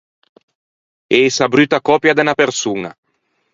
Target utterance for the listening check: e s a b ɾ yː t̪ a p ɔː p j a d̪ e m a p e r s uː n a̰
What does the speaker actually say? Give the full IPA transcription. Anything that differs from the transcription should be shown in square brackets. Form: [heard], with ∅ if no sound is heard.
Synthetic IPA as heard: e s a b ɾ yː t̪ a [k] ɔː p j a d̪ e [n] a p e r s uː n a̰